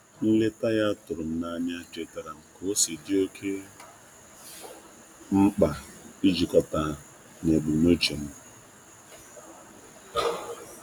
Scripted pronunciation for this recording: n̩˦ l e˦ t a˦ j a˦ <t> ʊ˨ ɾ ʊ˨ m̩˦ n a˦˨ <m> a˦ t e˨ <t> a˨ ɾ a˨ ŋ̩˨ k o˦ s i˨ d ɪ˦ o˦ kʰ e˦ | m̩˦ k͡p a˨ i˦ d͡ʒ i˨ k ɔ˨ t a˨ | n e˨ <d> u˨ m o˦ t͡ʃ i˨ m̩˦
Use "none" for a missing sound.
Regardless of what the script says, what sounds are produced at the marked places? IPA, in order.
t, ɲ, t, b

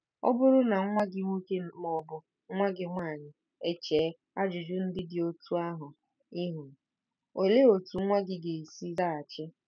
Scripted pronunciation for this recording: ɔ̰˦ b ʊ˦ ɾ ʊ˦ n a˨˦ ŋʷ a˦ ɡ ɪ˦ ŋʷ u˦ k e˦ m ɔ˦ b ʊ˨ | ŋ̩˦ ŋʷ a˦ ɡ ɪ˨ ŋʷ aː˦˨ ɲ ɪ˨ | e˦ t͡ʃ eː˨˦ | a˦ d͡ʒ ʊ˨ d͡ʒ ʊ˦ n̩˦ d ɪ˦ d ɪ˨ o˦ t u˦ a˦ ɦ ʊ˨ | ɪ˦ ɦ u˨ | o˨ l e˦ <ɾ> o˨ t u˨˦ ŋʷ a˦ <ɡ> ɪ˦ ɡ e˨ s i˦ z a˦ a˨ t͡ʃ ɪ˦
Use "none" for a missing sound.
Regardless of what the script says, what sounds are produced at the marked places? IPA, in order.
none, ɡ

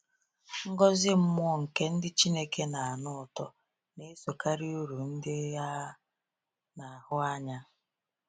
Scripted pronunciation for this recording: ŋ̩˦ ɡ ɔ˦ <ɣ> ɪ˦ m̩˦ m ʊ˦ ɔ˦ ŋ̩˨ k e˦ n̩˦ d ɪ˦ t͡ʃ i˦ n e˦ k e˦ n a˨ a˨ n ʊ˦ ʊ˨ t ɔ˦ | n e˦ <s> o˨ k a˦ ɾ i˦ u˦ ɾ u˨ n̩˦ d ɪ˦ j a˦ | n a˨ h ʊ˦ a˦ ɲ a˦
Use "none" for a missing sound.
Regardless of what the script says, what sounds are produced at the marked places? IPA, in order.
z, s

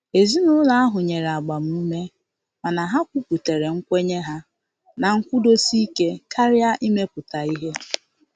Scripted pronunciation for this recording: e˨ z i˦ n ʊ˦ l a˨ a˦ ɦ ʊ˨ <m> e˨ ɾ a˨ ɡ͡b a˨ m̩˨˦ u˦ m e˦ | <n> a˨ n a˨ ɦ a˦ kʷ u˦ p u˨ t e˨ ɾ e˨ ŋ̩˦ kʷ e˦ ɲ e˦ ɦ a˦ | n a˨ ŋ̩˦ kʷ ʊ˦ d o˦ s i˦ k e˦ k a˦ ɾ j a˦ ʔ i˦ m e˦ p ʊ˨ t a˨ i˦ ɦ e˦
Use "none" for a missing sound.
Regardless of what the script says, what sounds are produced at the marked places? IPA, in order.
ɲ, m

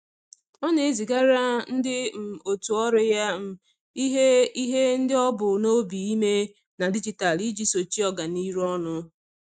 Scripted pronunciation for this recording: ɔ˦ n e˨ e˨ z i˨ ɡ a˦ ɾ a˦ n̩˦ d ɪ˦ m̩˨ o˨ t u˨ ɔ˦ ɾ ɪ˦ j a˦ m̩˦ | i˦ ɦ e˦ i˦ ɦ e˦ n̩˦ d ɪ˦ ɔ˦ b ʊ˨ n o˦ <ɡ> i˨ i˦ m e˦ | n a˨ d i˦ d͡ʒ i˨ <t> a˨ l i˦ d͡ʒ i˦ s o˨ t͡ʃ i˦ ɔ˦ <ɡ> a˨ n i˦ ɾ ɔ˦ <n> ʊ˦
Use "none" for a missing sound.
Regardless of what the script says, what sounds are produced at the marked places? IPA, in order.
b, t, ɡ, n

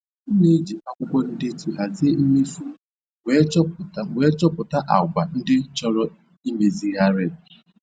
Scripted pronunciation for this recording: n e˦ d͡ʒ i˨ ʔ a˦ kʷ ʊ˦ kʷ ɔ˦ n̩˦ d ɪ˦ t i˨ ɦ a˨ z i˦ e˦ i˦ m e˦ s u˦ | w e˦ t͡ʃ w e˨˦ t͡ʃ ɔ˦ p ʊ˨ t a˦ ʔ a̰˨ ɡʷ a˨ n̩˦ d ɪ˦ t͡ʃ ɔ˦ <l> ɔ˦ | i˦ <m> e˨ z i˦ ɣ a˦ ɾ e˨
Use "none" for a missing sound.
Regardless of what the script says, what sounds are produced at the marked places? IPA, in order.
ɾ, m

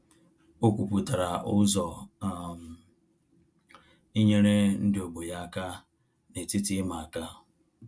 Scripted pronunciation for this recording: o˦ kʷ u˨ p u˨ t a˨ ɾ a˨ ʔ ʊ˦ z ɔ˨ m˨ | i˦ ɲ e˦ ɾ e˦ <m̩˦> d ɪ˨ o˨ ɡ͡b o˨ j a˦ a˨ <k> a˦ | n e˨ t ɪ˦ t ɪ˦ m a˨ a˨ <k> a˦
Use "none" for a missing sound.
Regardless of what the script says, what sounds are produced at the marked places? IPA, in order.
n̩˦, k, k

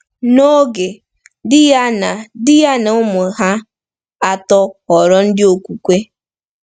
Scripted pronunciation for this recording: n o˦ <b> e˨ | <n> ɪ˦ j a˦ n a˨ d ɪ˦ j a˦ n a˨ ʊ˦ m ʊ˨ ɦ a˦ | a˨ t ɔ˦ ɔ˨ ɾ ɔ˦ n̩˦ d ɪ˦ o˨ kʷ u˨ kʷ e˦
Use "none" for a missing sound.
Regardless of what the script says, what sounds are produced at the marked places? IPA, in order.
ɡ, d

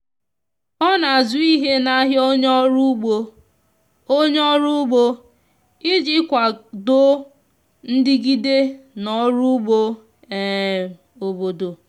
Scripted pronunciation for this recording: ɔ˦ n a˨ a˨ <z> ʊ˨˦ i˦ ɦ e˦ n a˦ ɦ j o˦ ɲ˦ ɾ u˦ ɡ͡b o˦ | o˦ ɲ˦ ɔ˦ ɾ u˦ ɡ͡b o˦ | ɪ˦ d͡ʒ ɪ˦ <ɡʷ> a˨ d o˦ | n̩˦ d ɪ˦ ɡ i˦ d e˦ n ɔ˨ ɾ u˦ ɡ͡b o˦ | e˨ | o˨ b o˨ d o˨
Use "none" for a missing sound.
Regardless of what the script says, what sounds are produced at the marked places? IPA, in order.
z, kʷ

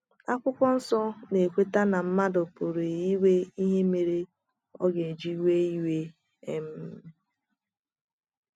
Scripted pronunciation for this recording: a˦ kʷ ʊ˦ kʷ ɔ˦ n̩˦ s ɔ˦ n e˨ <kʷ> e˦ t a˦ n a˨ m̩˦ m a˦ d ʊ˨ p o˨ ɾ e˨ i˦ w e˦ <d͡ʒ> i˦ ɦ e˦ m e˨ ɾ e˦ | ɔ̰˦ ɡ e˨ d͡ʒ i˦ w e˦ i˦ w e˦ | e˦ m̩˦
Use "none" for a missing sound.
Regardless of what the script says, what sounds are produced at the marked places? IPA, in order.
kʷ, none

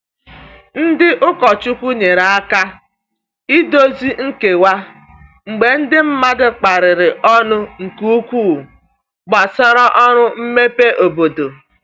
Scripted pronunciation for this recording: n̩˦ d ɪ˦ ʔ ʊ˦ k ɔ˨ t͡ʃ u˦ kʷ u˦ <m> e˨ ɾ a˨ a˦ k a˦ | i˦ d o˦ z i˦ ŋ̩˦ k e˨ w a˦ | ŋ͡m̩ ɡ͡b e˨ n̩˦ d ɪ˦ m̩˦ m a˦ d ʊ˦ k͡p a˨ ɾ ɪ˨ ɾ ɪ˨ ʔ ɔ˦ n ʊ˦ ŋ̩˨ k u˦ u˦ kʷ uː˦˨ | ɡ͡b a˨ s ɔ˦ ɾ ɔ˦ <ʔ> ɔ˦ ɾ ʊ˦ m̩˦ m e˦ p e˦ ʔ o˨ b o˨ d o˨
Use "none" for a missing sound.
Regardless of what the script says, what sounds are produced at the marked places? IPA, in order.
ɲ, ʔ

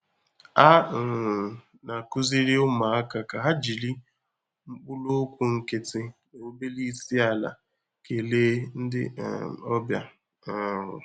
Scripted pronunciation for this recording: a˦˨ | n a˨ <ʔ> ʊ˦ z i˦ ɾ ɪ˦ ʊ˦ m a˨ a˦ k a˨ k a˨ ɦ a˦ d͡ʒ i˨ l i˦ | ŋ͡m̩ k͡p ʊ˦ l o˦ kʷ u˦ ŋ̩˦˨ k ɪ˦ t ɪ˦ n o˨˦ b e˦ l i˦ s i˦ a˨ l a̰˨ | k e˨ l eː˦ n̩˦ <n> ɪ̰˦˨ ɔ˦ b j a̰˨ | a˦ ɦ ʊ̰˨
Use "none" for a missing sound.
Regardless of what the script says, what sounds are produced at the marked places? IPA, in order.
k, d

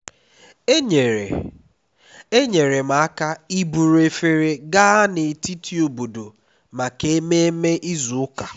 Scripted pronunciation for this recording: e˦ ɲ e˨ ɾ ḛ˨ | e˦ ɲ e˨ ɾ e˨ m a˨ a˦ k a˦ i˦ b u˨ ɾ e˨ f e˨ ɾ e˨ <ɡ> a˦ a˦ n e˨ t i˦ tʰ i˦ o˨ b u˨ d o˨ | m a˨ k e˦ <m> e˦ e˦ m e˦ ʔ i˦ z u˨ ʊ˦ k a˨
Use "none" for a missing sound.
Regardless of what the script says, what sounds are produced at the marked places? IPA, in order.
ɡ, m

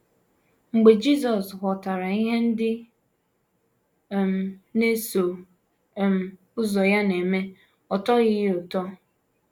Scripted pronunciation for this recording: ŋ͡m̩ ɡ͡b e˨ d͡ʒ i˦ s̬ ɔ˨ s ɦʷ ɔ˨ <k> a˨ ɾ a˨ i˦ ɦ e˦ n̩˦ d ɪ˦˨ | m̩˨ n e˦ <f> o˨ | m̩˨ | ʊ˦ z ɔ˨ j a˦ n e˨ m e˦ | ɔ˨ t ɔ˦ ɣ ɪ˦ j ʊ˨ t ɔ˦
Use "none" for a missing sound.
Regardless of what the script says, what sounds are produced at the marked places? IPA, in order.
t, s

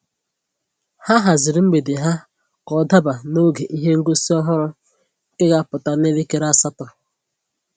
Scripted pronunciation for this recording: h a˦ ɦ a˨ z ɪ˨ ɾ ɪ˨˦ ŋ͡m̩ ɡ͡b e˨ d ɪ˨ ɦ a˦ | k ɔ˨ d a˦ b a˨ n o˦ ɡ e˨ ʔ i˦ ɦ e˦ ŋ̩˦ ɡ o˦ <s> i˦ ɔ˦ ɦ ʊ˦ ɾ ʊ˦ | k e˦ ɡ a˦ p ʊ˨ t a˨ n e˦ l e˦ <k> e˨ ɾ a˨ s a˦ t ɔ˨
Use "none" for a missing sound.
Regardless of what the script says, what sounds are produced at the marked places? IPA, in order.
s, k

